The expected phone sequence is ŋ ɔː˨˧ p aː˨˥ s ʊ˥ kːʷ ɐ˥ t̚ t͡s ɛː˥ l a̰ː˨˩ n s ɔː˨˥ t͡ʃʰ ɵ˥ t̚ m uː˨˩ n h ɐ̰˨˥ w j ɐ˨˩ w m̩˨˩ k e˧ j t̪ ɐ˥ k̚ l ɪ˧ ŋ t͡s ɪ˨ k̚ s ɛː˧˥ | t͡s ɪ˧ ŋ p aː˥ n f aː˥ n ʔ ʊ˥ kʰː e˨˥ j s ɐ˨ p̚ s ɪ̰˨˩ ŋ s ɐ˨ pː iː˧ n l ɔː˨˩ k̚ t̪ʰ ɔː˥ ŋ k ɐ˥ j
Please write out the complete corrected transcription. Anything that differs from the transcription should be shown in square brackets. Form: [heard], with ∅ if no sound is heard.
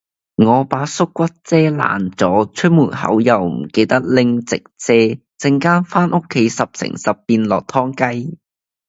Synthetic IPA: ŋ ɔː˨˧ p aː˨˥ s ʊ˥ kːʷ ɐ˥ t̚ t͡s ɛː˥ l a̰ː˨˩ n [t͡s] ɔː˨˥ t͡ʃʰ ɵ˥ t̚ m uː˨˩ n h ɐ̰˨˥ w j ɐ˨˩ w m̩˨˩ k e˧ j t̪ ɐ˥ k̚ l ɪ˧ ŋ t͡s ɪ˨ k̚ [t͡s] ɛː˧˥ | t͡s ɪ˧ ŋ [k] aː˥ n f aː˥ n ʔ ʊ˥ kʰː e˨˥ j s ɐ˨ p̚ s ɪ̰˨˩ ŋ s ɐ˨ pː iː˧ n l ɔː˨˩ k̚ t̪ʰ ɔː˥ ŋ k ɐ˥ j